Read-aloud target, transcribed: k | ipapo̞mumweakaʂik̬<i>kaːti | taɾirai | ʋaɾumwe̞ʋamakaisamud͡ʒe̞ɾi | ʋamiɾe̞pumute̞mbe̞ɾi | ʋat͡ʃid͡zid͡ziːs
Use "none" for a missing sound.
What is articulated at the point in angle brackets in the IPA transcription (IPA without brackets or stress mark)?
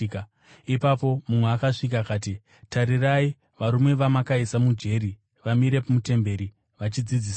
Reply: a